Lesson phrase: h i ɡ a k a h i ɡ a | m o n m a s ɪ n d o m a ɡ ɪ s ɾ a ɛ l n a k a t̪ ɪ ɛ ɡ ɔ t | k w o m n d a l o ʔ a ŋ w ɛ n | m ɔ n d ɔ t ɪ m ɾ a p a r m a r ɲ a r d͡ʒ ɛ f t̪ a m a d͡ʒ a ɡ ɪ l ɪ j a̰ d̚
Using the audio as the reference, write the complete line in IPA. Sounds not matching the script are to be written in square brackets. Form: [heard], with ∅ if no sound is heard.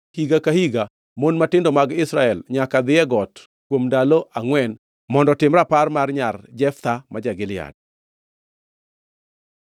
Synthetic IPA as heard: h i ɡ a k a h i ɡ a | m o n m a [t] ɪ n d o m a ɡ ɪ s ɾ a ɛ l [ɲ] a k a [d̪] ɪ ɛ ɡ ɔ t | k w o m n d a l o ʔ a ŋ w ɛ n | m ɔ n d ɔ t ɪ m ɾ a p a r m a r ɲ a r d͡ʒ ɛ f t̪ a m a d͡ʒ a ɡ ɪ l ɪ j a̰ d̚